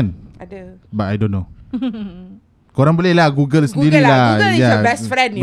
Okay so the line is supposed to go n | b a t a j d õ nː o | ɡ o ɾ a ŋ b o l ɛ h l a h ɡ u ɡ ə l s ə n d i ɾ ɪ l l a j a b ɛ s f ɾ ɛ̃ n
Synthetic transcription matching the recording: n | b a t a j d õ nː o | k o ɾ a ŋ b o l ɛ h l a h ɡ u ɡ ə l s ə n d i ɾ i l l a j a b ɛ s f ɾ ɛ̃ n